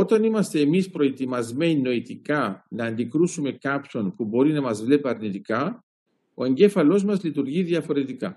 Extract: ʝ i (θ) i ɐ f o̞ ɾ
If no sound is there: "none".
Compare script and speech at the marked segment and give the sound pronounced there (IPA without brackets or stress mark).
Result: ð